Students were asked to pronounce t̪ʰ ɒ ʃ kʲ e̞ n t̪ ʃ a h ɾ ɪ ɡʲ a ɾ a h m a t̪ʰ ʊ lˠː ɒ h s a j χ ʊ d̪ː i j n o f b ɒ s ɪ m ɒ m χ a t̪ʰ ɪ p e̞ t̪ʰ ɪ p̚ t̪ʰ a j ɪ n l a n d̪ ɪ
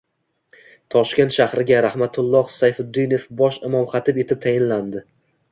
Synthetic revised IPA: t̪ʰ ɒ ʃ kʲ e̞ n t̪ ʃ a h ɾ ɪ ɡʲ a ɾ a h m a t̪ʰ ʊ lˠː ɒ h s a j f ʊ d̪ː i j n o f b ɒ ʃ ɪ m ɒ m χ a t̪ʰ ɪ p e̞ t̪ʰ ɪ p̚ t̪ʰ a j ɪ n l a n d̪ ɪ